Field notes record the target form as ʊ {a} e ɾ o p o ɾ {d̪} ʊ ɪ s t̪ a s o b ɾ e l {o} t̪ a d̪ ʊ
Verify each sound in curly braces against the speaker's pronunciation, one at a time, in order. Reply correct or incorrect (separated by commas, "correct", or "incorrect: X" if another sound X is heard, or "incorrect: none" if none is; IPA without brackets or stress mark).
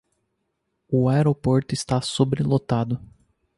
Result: correct, incorrect: t̪, correct